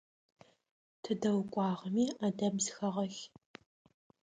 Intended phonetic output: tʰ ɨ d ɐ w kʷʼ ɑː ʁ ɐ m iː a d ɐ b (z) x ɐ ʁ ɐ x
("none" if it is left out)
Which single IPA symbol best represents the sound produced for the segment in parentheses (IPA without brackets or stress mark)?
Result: z